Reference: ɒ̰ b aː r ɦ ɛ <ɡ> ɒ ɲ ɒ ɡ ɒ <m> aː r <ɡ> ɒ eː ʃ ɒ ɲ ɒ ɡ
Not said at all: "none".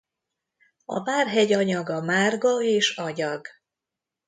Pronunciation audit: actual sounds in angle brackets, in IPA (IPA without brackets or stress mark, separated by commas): ɟ, m, ɡ